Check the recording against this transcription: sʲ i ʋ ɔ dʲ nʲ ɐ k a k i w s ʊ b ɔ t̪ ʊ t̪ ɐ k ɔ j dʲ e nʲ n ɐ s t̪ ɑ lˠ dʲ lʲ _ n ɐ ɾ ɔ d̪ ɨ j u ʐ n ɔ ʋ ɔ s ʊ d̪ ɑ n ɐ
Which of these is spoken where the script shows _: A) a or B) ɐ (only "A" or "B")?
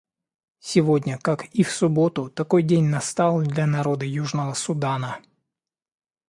B